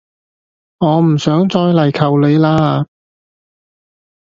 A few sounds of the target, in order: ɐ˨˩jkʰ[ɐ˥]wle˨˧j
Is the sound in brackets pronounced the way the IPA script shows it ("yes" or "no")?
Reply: no